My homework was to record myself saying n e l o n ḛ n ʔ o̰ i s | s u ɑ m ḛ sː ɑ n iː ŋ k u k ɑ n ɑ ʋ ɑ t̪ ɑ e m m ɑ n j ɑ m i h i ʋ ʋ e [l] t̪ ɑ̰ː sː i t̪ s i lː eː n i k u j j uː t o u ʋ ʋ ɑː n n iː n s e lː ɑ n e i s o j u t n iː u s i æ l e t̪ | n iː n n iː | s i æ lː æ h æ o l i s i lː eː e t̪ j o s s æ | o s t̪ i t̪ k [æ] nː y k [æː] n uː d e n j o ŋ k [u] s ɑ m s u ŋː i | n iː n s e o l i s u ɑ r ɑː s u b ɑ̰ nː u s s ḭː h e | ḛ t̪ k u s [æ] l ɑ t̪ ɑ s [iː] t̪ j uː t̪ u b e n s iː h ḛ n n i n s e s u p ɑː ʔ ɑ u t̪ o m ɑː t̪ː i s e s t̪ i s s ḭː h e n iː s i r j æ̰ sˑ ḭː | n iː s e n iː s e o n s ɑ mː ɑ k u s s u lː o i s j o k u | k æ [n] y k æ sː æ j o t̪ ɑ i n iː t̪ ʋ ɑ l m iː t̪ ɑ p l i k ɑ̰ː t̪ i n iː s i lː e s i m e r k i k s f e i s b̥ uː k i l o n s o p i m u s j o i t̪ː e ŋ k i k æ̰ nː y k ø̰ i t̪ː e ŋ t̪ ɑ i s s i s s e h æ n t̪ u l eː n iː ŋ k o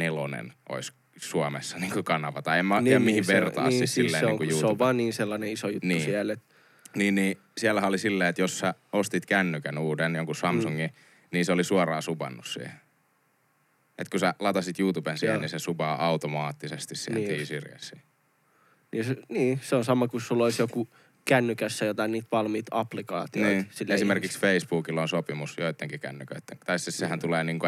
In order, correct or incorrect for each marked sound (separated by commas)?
incorrect, correct, incorrect, correct, correct, incorrect, incorrect